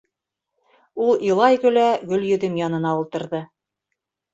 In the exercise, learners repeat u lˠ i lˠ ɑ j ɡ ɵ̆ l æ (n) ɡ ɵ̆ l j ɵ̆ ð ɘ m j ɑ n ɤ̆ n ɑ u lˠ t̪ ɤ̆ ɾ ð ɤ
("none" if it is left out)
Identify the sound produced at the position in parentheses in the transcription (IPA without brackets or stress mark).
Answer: none